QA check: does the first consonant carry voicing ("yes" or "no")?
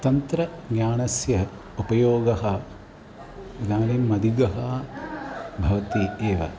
no